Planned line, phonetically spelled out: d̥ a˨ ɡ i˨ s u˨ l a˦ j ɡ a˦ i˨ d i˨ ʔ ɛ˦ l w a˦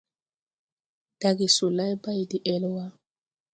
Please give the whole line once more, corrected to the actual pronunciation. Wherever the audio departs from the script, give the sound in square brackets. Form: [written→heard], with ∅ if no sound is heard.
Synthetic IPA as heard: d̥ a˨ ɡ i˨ s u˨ l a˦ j [ɡ→b] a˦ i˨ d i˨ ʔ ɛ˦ l w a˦